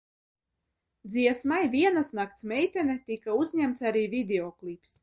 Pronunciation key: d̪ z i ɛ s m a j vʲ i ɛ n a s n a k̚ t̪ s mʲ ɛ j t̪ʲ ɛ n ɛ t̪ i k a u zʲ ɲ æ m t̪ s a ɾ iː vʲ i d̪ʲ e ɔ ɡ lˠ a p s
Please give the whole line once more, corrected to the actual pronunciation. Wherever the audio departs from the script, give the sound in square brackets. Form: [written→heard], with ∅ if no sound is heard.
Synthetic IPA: d̪ z i ɛ s m a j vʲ i ɛ n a s n a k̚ t̪ s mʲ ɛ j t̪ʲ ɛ n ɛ t̪ i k a u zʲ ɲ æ m t̪ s a ɾ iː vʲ i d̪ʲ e ɔ [ɡ→k] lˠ [a→i] p s